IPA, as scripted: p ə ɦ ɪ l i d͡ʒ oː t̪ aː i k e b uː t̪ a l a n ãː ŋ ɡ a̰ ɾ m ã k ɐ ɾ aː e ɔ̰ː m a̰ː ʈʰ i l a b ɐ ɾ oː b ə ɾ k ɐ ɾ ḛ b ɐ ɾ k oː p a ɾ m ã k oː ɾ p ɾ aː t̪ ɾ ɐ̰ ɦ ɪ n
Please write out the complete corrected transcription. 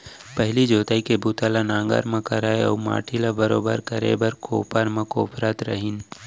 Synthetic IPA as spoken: p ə ɦ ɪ l i d͡ʒ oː t̪ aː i k e b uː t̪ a l a n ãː ŋ ɡ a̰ ɾ m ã k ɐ ɾ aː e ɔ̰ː m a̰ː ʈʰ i l a b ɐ ɾ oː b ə ɾ k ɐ ɾ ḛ b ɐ ɾ k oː p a ɾ m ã k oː p ɾ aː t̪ ɾ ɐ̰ ɦ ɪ n